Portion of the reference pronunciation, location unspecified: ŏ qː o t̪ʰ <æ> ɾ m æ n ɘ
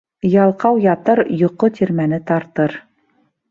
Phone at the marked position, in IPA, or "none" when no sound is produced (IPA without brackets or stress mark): i